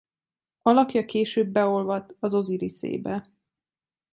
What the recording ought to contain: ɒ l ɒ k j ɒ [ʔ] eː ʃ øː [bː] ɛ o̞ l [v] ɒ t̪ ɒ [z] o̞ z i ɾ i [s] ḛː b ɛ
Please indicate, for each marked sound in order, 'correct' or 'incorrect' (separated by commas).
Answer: incorrect, correct, correct, correct, correct